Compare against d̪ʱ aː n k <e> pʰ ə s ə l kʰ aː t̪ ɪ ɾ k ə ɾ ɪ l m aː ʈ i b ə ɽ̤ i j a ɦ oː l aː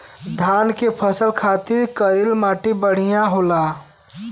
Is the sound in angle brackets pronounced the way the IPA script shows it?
yes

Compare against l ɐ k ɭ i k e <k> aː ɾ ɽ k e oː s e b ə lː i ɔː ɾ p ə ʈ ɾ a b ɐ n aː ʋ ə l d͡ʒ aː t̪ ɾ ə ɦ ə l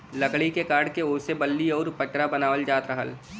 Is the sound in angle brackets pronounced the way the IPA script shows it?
yes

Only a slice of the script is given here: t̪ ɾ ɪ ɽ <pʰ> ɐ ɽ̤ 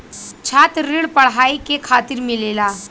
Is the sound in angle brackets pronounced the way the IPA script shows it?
no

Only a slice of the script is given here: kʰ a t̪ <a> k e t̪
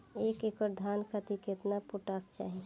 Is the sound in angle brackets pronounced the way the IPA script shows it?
no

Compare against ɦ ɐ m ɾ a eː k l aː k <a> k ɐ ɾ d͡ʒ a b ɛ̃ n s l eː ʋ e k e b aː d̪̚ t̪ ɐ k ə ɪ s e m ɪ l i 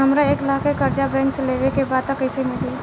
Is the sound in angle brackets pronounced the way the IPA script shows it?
no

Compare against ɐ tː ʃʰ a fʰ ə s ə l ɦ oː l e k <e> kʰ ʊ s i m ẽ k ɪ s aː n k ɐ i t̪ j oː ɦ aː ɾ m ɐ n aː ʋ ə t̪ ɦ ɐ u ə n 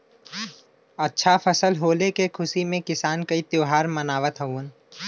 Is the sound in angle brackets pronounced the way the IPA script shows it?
yes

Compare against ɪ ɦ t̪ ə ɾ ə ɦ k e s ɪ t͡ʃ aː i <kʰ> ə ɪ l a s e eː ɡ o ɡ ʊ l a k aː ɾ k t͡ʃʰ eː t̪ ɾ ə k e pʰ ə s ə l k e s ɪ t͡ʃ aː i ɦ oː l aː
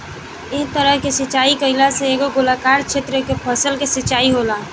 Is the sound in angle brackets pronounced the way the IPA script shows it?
no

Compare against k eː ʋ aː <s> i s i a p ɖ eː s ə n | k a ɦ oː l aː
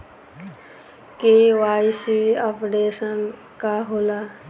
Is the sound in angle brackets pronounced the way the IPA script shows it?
no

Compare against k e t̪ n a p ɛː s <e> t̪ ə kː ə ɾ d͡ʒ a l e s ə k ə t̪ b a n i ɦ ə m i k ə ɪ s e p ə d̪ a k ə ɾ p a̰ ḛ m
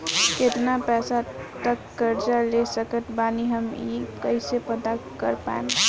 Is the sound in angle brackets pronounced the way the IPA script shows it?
no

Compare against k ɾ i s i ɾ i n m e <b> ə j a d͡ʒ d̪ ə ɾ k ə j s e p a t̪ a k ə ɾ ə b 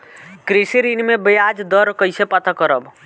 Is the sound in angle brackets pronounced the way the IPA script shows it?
yes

